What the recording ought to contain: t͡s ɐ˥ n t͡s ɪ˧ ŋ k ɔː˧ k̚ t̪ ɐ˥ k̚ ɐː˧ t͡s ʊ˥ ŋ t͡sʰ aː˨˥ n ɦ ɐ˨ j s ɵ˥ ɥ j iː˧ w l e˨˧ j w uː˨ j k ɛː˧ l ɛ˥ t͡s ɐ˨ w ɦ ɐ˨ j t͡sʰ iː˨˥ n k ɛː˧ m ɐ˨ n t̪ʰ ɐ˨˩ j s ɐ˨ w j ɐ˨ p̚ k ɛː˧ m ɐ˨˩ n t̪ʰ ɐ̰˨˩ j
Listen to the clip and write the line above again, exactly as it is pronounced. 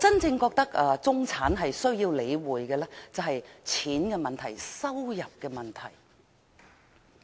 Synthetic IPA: t͡s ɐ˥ n t͡s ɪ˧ ŋ k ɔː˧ k̚ t̪ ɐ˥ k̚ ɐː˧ t͡s ʊ˥ ŋ t͡sʰ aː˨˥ n ɦ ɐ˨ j s ɵ˥ ɥ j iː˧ w l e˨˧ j w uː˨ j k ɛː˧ l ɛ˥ t͡s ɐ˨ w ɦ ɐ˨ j t͡sʰ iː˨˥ n k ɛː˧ m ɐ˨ n t̪ʰ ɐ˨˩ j s ɐ˥ w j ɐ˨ p̚ k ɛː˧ m ɐ˨˩ n t̪ʰ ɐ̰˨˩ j